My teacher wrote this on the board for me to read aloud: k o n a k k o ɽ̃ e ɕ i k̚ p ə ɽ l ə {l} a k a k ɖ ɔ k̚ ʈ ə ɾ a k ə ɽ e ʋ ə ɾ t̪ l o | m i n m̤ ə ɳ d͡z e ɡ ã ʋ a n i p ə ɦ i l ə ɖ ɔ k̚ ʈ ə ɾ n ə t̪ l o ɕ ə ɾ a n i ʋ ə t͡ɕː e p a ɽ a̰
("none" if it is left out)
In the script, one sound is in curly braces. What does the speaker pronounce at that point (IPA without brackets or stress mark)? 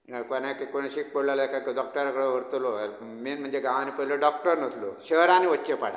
l